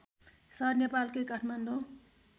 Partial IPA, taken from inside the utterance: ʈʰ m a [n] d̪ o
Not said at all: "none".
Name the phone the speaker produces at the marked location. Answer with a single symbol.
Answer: n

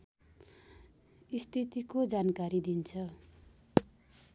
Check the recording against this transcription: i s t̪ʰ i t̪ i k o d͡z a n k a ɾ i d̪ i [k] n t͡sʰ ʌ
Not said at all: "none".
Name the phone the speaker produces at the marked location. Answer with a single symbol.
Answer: none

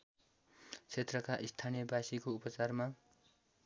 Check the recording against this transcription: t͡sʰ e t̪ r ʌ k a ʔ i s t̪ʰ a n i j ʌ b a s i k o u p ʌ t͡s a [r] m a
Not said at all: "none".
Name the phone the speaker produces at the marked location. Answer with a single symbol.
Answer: r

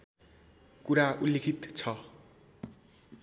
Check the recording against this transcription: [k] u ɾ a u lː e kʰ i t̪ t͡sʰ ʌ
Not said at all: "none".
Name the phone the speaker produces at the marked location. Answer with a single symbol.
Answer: k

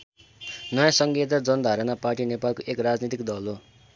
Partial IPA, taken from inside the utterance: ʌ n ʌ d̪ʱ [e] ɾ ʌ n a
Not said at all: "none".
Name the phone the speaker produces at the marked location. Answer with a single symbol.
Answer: a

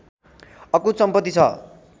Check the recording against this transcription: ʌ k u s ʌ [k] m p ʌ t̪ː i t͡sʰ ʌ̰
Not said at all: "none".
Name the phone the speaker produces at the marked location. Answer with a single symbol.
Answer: none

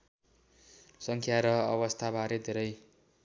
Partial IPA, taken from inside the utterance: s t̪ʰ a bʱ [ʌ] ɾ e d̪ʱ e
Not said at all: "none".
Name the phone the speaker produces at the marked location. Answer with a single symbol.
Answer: a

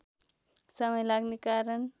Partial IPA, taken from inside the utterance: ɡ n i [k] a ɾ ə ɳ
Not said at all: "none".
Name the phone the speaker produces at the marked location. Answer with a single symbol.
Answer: k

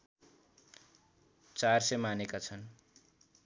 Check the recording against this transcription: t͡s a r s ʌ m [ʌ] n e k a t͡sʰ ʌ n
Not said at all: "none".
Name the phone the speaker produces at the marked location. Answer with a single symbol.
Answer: a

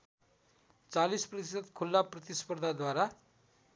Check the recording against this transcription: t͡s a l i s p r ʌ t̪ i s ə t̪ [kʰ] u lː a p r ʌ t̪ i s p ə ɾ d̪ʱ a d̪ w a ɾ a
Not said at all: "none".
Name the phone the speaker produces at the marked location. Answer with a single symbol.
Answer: kʰ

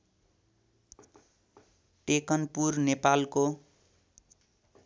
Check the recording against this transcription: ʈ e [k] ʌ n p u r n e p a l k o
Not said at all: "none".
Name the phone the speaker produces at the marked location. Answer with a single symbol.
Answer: k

